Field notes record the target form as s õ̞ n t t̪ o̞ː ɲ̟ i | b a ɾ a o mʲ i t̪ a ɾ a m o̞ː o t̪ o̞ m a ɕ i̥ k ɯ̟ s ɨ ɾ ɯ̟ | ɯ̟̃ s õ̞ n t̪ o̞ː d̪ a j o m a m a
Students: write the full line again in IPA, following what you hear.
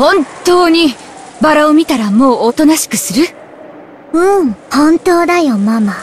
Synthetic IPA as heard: h õ̞ n t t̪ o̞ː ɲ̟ i | b a ɾ a o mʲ i t̪ a ɾ a m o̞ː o t̪ o̞ n a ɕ i̥ k ɯ̟ s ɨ ɾ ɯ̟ | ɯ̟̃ h õ̞ n t̪ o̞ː d̪ a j o m a m a